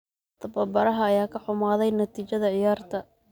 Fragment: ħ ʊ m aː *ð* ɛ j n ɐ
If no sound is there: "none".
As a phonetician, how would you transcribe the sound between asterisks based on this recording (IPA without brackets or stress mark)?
ð